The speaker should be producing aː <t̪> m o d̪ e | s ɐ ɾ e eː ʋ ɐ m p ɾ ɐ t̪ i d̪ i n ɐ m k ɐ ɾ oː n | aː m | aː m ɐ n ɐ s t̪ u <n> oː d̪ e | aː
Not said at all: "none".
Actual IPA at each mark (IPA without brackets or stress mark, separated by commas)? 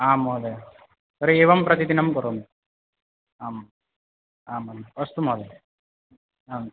none, m